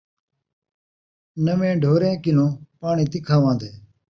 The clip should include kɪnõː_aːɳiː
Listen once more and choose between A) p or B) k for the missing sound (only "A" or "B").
A